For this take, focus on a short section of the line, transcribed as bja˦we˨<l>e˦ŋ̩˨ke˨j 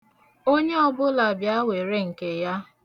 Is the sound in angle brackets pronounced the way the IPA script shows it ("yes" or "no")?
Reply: no